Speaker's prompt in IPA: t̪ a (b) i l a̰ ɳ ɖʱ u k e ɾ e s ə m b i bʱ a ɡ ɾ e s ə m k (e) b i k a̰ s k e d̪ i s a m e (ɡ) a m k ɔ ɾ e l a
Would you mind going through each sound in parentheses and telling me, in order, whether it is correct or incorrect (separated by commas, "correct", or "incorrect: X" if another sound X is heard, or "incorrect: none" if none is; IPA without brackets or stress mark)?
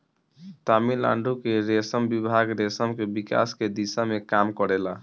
incorrect: m, correct, incorrect: k